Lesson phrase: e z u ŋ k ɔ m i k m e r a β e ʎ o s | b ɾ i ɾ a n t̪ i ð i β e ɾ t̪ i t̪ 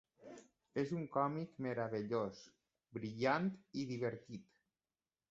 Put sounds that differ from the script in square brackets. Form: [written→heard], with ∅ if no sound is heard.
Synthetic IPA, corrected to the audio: e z u ŋ k ɔ m i k m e [r→ɾ] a β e ʎ o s | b ɾ i [ɾ→ʎ] a n t̪ i ð i β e ɾ t̪ i t̪